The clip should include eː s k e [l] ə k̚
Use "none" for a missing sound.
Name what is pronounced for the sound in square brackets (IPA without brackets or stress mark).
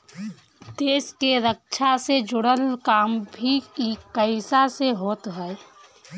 ɾ